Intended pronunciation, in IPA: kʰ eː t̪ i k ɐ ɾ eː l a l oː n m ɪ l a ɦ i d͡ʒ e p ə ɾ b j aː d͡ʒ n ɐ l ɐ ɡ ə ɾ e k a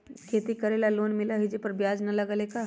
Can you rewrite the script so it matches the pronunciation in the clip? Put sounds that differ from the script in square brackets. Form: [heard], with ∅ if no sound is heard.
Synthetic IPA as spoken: kʰ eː t̪ i k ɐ ɾ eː l a l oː n m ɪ l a ɦ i d͡ʒ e p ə ɾ b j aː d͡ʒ n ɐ l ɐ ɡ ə [l] e k a